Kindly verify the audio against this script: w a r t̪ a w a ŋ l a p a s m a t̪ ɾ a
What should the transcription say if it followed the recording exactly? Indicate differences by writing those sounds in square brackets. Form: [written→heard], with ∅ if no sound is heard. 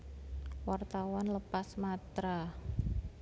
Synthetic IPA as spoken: w a r t̪ a w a [ŋ→n] l [a→ə] p a s m a t̪ ɾ a